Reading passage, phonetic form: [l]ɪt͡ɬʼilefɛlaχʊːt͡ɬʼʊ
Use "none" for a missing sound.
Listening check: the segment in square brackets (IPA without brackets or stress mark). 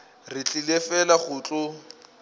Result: r